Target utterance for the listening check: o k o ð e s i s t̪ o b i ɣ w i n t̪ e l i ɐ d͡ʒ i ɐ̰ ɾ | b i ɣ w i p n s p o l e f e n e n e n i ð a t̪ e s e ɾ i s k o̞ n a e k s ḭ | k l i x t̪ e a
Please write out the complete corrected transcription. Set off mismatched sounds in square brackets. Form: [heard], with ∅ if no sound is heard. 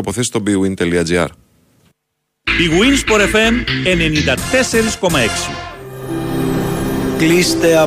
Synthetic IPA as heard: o [p] o [θ] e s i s t̪ o b i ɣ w i n t̪ e l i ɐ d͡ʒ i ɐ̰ ɾ | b i ɣ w i [∅] n s p o [ɾ] e f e [m] e n e n i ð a t̪ e s e ɾ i s k o̞ [m] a e k s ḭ | k l i [s] t̪ e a